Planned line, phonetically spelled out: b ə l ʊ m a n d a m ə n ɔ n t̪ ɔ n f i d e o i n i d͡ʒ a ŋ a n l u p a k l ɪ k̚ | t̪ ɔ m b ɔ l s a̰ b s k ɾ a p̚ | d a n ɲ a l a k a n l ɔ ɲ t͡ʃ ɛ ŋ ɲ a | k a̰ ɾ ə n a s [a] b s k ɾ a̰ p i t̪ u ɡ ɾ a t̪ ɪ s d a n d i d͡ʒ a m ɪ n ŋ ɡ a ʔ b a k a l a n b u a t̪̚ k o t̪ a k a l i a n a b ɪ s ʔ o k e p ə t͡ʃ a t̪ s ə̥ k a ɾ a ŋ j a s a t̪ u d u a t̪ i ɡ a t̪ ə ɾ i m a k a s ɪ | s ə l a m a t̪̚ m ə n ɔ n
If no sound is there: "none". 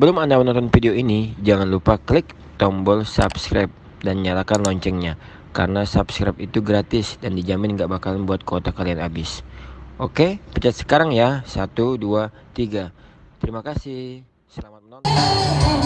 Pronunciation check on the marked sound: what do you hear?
a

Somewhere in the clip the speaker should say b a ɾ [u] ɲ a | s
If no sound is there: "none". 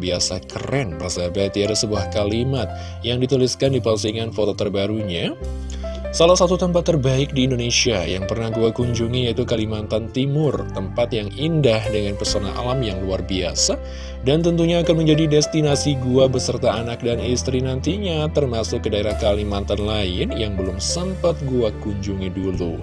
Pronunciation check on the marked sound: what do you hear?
u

